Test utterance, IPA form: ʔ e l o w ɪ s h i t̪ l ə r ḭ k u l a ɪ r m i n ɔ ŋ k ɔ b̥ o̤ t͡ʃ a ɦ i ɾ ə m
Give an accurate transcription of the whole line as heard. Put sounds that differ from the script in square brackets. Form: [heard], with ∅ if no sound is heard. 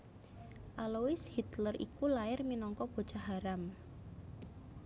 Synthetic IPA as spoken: ʔ [a] l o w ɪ s h i t̪ l ə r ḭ k u l a ɪ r m i n ɔ ŋ k ɔ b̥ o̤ t͡ʃ a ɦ [a] ɾ [a] m